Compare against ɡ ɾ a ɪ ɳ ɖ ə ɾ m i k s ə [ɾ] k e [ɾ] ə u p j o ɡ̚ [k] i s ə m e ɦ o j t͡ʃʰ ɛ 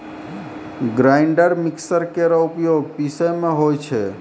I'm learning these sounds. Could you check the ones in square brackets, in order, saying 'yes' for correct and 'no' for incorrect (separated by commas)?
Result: yes, yes, no